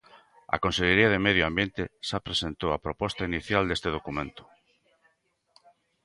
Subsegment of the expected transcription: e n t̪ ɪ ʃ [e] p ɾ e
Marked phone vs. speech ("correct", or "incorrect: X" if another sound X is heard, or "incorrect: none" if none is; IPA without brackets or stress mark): incorrect: a